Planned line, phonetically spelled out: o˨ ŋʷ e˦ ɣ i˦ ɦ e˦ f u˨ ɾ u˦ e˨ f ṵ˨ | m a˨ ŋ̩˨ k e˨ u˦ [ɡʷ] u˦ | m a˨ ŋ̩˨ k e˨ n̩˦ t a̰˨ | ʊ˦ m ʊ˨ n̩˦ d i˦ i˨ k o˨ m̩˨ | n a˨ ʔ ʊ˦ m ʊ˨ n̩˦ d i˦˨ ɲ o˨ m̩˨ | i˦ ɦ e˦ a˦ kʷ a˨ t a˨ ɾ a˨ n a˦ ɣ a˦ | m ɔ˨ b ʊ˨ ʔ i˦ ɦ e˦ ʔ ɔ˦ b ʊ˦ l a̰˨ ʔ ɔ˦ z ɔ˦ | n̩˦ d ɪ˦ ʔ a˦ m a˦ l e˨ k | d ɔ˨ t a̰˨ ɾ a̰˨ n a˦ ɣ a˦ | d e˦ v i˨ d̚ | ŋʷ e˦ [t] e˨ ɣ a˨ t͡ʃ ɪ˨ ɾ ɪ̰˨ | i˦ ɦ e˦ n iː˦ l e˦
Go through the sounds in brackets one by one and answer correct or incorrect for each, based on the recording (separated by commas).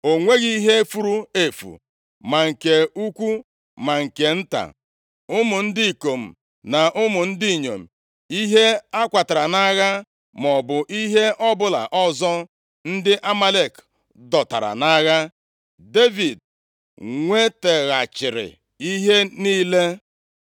incorrect, correct